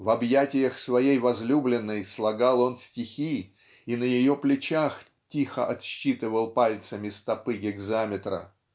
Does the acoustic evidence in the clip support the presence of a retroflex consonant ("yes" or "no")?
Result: no